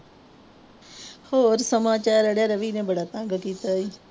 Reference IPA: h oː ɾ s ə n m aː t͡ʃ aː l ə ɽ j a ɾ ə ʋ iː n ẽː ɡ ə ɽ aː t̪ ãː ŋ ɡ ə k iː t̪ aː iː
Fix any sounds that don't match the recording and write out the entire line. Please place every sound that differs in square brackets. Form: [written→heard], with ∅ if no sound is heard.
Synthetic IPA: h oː ɾ s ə [n→∅] m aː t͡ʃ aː [l→ɾ] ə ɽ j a ɾ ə ʋ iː n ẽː [ɡ→b] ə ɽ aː t̪ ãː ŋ ɡ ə k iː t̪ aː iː